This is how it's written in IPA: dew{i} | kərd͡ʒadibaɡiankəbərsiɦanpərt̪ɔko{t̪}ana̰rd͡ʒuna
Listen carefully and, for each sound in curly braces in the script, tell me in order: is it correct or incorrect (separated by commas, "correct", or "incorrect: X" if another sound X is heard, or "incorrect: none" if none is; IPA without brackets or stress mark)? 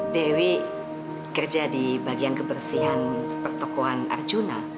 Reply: correct, incorrect: none